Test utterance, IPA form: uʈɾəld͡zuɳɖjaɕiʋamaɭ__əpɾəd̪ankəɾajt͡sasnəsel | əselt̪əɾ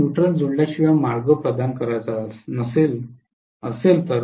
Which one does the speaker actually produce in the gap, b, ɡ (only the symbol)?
ɡ